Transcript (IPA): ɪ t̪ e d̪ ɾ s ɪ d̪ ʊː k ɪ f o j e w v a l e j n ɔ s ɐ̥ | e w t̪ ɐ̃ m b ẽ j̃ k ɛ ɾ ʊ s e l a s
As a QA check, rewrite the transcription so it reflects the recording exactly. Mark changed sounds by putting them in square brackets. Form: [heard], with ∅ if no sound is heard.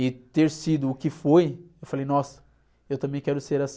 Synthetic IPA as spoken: ɪ t̪ e [∅] ɾ s [i] d̪ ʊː k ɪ f o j e w [f] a l e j n ɔ s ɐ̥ | e w t̪ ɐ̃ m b ẽ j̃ k ɛ ɾ ʊ s e [ɾ] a s